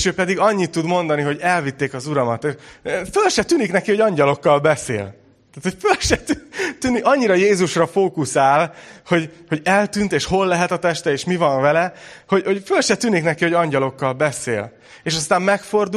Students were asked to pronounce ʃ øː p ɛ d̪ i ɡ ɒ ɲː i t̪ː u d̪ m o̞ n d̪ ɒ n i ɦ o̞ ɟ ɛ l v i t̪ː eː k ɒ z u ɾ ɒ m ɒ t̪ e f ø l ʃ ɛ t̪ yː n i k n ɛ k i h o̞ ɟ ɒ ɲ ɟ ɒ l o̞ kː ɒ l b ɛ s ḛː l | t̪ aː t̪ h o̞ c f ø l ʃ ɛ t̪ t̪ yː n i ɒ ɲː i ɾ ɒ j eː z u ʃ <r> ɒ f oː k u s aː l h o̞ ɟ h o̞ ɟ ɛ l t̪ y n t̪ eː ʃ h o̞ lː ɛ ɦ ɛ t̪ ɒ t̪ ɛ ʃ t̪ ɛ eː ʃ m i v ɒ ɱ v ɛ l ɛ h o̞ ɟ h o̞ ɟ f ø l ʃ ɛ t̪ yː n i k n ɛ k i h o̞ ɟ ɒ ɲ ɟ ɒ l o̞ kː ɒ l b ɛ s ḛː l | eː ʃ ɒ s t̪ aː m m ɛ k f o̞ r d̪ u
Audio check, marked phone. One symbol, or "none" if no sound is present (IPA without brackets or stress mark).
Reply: r